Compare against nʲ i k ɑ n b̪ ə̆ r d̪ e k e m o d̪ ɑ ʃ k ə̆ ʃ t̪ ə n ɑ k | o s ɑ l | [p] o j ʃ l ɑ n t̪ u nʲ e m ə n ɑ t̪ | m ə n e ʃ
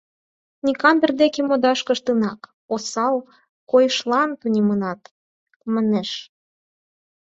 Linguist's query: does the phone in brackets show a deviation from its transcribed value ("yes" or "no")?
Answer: yes